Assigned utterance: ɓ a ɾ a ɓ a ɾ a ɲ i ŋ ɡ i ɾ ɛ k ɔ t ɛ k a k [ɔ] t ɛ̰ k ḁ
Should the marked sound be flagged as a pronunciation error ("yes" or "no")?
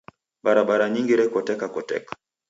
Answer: no